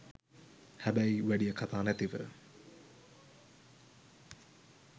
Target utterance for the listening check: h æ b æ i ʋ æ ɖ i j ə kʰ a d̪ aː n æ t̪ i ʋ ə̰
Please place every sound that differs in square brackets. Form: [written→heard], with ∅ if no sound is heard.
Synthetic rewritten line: h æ b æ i ʋ æ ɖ i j ə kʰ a [d̪→t̪] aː n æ t̪ i ʋ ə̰

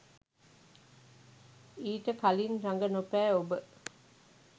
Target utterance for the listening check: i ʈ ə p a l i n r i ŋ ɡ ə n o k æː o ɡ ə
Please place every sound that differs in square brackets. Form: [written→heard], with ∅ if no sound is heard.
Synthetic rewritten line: [i→iː] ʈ ə [p→k] a l i n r [i→a] ŋ ɡ ə n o [k→p] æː o [ɡ→b] ə

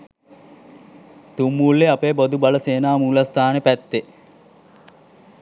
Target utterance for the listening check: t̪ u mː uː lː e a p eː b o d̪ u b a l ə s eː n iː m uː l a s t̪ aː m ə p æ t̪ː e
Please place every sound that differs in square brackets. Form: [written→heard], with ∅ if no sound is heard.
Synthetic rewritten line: t̪ u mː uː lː e a p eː b o d̪ u b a l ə s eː n [iː→aː] m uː l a s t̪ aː [m→n] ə p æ t̪ː e

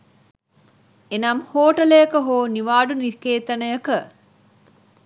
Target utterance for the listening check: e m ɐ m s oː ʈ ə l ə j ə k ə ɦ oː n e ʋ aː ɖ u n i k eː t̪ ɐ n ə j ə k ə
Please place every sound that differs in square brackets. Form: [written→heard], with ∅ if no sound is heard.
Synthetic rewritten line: e [m→n] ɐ m [s→h] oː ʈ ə l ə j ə k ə ɦ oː n [e→i] ʋ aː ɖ u n i k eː t̪ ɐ n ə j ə k ə

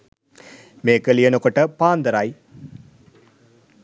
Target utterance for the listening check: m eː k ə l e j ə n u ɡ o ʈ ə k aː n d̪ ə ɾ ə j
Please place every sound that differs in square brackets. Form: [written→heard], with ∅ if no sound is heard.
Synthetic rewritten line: m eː k ə l [e→i] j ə n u [ɡ→k] o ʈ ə [k→p] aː n d̪ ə ɾ [ə→a] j

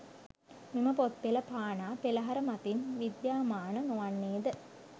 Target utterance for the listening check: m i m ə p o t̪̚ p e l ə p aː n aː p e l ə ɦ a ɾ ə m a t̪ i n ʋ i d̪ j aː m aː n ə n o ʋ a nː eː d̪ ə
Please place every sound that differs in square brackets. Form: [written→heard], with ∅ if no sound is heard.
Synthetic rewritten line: m i m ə p o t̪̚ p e l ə p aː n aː p e l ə ɦ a ɾ ə m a t̪ i n ʋ i d̪ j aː m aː n ə n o ʋ a nː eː d̪ ə

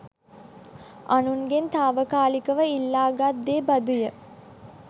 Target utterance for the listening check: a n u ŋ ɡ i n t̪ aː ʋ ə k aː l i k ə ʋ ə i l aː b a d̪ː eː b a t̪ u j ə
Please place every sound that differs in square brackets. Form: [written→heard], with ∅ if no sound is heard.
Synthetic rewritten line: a n u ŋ ɡ [i→e] n t̪ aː ʋ ə k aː l i k ə ʋ ə i [l→lː] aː [b→ɡ] a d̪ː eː b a [t̪→d̪] u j ə

